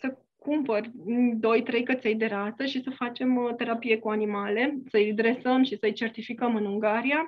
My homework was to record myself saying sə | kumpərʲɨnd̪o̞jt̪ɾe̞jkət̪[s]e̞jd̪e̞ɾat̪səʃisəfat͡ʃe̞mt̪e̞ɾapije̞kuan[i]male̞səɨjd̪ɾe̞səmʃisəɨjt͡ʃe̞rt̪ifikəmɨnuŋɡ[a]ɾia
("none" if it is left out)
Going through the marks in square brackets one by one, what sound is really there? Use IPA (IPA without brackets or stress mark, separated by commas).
s, i, a